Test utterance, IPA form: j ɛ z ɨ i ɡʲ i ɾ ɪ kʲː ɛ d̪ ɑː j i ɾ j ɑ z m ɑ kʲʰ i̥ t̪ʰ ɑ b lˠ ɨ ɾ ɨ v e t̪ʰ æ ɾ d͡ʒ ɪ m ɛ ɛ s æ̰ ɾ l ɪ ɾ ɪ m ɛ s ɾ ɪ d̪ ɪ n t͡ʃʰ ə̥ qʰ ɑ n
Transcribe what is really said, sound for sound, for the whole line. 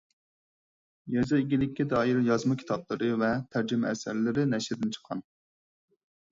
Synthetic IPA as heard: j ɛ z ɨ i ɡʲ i l ɪ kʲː ɛ d̪ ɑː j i ɾ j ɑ z m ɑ kʲʰ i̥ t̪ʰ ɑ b lˠ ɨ ɾ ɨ v ɛ t̪ʰ æ ɾ d͡ʒ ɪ m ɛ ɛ s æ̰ ɾ l ɪ ɾ ɪ n ɛ ʃ ɾ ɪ d̪ ɪ n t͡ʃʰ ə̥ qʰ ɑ n